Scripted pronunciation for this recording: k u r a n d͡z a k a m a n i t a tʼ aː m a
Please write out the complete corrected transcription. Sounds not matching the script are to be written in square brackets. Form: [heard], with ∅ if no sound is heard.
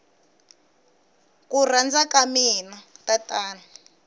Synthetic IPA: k u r a n d͡z a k a m [i] n [a] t a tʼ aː [n] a